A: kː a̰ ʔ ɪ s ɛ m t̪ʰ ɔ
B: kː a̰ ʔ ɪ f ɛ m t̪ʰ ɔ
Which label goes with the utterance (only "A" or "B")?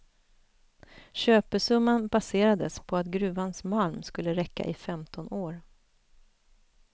B